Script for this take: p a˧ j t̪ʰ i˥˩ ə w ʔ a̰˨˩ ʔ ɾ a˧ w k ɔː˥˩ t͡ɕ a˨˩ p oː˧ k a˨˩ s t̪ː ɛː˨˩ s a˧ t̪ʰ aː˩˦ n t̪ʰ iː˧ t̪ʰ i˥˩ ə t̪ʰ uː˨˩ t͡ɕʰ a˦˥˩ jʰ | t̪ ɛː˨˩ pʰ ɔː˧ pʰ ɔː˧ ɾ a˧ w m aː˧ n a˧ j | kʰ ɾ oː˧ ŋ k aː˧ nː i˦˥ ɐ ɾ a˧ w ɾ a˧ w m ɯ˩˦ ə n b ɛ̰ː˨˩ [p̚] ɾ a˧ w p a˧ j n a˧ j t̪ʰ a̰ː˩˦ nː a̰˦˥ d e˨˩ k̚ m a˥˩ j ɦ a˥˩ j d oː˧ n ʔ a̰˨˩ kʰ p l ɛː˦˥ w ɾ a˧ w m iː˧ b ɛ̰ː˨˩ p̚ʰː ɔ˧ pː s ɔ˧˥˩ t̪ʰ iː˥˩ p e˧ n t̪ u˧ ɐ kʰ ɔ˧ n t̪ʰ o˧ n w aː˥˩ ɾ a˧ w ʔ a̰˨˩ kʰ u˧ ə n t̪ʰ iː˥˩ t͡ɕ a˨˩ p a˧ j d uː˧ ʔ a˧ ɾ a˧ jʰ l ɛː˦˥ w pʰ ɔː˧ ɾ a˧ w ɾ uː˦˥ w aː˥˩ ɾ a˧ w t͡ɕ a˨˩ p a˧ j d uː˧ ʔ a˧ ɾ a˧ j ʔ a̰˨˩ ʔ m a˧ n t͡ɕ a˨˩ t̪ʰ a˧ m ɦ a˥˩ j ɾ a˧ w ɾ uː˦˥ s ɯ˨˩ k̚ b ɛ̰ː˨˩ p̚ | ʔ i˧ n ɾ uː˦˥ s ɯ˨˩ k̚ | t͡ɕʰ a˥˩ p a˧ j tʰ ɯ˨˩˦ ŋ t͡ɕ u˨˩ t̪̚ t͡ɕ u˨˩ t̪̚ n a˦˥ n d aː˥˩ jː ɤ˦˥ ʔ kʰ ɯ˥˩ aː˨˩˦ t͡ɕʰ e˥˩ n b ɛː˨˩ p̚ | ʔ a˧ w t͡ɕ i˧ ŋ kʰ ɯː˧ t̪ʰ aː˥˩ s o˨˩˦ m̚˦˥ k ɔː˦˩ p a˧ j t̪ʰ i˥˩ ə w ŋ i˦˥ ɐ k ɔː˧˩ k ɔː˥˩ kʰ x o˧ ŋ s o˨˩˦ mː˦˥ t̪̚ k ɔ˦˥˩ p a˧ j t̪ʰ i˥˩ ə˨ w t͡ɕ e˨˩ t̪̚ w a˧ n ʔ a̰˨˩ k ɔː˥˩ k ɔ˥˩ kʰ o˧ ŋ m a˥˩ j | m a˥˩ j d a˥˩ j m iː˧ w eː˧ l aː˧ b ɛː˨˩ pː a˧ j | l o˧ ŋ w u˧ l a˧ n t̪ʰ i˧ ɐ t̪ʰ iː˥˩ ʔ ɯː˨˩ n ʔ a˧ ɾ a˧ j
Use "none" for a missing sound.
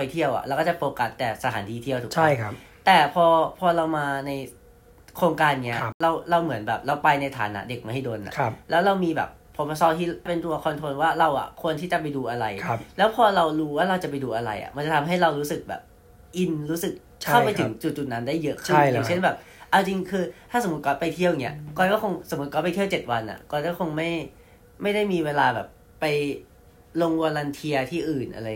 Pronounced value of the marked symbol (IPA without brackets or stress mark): p̚